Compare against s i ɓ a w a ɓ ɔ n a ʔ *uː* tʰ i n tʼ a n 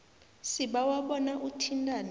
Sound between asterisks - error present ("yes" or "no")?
yes